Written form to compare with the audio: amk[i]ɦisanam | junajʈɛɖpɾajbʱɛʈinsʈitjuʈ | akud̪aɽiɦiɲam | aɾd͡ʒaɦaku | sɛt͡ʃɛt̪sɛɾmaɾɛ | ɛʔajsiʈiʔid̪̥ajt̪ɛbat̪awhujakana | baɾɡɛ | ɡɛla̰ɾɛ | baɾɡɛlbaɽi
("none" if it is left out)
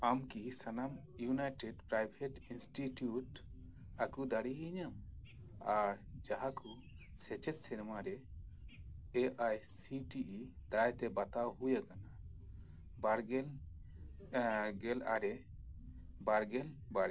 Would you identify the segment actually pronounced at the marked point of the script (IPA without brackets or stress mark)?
i